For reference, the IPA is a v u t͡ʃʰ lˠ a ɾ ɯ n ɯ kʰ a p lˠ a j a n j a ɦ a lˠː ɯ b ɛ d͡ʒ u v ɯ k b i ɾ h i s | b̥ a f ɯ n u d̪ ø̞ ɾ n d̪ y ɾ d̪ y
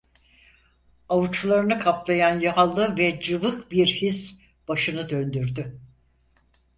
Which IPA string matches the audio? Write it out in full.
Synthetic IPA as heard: a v u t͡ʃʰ lˠ a ɾ ɯ n ɯ kʰ a p lˠ a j a n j a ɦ a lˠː ɯ v ɛ d͡ʒ ɯ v ɯ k b i ɾ h i s | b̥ a ʃ ɯ n ɯ d̪ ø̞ n d̪ y ɾ d̪ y